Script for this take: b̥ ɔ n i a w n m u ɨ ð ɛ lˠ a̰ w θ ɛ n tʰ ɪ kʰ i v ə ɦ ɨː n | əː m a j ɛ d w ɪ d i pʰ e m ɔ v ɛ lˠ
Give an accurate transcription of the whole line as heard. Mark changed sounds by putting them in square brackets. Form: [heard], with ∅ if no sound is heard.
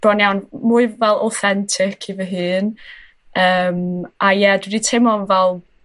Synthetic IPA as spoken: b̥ ɔ n [j] a w n m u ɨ [v] ɛ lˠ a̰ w θ ɛ n tʰ ɪ kʰ i v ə ɦ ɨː n | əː m a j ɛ d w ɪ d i [tʰ] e m ɔ v ɛ lˠ